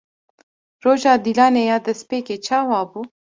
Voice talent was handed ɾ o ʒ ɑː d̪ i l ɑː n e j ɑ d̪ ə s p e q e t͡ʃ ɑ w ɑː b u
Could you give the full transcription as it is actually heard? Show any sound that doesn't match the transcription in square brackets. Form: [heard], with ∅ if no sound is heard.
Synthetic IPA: ɾ o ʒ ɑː d̪ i l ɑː n e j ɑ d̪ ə s p e [k] e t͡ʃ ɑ w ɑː b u